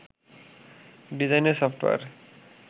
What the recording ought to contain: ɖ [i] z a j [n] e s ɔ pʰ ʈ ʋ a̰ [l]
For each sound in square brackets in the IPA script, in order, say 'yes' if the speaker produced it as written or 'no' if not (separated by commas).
yes, yes, no